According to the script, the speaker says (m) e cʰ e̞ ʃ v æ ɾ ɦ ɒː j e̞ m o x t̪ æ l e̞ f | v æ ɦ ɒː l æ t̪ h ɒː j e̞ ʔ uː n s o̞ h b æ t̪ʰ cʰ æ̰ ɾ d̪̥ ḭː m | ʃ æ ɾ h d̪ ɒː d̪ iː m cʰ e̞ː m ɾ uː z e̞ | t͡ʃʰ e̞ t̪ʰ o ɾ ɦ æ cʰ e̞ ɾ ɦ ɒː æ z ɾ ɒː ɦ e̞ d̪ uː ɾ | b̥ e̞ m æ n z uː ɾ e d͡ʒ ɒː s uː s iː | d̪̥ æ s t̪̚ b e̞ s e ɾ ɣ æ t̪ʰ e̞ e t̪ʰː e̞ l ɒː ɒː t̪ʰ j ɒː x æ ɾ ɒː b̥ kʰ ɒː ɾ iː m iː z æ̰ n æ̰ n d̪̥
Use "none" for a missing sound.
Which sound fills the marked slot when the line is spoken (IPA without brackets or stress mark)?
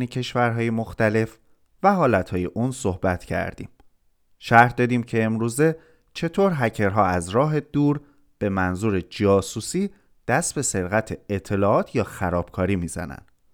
n